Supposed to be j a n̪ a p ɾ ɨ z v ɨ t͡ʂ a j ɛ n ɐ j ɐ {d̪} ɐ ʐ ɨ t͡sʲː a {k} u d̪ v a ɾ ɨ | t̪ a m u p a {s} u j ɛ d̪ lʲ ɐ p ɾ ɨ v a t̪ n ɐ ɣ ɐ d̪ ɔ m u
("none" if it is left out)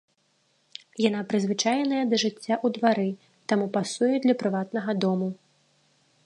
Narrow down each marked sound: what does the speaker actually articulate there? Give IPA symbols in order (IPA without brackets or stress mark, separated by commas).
d̪, ʔ, s